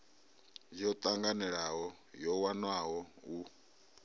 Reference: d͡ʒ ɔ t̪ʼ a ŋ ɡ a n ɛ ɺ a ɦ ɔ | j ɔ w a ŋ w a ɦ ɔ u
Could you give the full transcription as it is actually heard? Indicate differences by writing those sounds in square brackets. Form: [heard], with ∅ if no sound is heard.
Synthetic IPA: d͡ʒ ɔ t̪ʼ a ŋ ɡ a n ɛ ɺ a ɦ ɔ | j ɔ w a [n] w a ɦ ɔ u